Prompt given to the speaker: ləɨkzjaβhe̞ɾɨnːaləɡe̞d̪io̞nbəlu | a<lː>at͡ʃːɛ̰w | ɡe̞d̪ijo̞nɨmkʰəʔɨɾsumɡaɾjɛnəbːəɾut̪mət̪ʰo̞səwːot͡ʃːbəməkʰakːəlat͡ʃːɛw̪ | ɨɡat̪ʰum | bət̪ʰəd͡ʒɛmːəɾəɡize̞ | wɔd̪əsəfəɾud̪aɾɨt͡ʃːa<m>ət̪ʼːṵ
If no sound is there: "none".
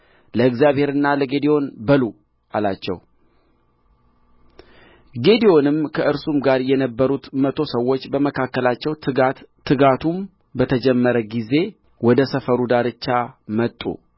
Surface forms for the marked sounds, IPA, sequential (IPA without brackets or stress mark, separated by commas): l, m